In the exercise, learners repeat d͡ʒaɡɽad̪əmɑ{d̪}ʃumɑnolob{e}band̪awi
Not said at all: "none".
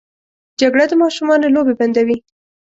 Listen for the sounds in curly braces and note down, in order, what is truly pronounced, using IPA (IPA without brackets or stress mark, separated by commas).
none, e